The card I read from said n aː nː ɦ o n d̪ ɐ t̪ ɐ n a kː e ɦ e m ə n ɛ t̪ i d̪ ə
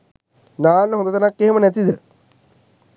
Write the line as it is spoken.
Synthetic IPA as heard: n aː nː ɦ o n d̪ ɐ t̪ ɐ n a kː e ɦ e m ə n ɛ t̪ i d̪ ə